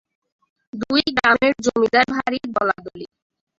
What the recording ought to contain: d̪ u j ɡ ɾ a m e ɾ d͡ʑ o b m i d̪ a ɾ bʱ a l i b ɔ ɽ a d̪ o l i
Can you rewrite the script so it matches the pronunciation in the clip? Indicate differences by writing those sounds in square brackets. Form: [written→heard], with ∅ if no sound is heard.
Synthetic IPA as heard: d̪ u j ɡ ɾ a m e ɾ d͡ʑ o [b→∅] m i d̪ a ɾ bʱ a [l→ɾ] i b ɔ [ɽ→l] a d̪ o l i